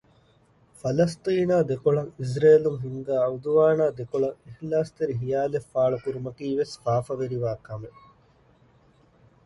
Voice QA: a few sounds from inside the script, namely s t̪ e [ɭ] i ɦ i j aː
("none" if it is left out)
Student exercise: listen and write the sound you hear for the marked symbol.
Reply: ɾ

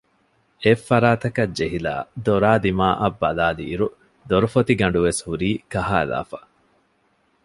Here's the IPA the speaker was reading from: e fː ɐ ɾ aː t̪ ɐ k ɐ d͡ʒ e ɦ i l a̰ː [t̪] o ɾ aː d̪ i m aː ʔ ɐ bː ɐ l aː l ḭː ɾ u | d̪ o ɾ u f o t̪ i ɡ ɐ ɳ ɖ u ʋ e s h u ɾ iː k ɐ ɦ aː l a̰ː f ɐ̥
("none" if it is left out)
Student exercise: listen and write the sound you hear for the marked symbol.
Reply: d̪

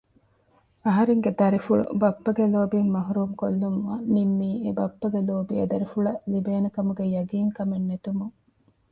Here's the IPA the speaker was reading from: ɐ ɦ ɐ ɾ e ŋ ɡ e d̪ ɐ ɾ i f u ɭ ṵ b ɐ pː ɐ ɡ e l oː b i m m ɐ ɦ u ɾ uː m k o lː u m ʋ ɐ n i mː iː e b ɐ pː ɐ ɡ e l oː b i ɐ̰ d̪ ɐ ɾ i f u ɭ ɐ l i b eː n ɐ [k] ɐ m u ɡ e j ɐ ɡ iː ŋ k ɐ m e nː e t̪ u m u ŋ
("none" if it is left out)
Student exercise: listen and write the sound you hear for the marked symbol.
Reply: k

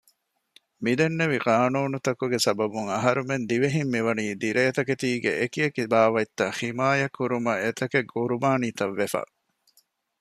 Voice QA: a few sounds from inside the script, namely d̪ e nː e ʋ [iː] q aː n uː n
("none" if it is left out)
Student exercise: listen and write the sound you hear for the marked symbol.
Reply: i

